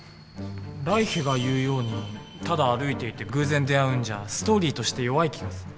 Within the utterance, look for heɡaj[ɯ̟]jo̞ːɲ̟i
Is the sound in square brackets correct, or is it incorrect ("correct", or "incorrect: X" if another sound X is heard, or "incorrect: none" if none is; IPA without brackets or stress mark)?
incorrect: ɯ̟ː